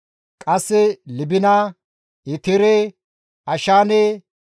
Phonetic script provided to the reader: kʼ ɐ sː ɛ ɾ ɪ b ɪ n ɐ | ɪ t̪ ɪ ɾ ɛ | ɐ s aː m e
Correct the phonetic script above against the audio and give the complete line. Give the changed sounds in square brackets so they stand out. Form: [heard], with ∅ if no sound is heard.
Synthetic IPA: kʼ ɐ sː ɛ [l] ɪ b ɪ n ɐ | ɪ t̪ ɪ ɾ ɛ | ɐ [ʃ] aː [n] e